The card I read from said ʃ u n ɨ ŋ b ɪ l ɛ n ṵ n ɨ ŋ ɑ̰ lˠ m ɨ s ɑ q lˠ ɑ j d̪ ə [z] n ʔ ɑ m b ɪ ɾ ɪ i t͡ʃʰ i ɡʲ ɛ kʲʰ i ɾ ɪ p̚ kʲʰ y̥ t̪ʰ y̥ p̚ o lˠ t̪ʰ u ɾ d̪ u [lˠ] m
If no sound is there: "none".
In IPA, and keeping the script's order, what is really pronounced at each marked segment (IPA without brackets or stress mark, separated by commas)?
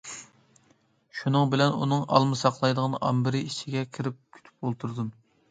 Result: ʁ, none